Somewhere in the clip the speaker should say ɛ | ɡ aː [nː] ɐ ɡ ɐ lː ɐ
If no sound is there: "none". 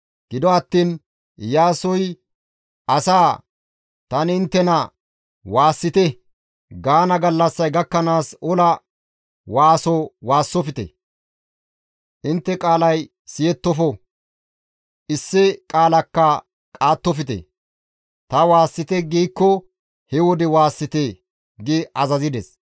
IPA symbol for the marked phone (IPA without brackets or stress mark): n